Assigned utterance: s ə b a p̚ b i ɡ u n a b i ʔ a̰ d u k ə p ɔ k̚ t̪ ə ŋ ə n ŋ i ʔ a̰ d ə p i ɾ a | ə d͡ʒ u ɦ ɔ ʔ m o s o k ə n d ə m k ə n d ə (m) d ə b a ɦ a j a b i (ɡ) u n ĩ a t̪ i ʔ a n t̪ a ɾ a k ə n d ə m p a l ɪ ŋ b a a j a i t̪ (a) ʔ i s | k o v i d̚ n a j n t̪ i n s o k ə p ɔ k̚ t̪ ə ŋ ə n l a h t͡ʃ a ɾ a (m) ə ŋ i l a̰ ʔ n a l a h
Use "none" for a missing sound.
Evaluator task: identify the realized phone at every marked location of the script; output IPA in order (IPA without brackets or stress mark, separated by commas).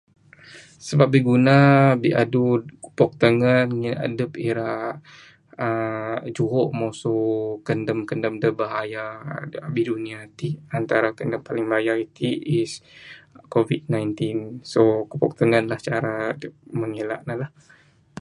m, d, i, m